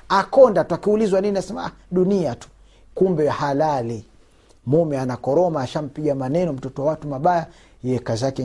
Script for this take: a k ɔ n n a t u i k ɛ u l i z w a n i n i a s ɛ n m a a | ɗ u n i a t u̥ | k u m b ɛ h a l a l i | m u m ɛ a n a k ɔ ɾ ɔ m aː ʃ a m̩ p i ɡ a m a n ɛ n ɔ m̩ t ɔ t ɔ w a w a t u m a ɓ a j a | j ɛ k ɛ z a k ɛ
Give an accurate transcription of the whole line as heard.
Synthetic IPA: a k ɔ n d a t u a k i u l i z w a n i n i a s ɛ m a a | ɗ u n i a t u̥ | k u m b ɛ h a l a l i | m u m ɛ a n a k ɔ ɾ ɔ m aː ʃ a m̩ p i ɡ a m a n ɛ n ɔ m̩ t ɔ t ɔ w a w a t u m a ɓ a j a | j ɛ k a z a k ɛ